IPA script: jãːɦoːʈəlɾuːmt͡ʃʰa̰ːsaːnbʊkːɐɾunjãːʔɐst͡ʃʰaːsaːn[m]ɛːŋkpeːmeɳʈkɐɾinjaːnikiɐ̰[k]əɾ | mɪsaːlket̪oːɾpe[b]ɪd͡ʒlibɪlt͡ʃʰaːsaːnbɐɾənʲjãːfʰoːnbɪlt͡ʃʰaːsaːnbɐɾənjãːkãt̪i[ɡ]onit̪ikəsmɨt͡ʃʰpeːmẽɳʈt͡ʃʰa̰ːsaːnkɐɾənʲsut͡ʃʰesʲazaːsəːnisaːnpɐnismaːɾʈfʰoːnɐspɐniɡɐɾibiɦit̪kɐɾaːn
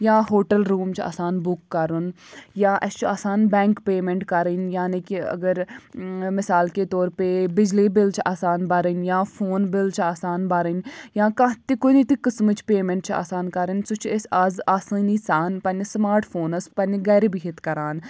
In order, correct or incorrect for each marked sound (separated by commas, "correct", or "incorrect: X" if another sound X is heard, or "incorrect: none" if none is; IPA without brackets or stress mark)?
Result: incorrect: b, incorrect: ɡ, correct, incorrect: k